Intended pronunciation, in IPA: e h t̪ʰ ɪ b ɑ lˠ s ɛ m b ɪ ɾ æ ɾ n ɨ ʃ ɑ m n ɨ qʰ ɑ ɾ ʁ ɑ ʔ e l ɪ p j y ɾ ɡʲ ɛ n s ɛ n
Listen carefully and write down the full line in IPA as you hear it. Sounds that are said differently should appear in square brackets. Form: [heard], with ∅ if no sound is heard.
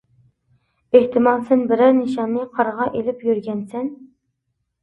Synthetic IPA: e h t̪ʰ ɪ [m] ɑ lˠ s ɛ [n] b ɪ ɾ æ ɾ n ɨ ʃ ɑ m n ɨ qʰ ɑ ɾ ʁ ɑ ʔ e l ɪ p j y ɾ ɡʲ ɛ n s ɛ n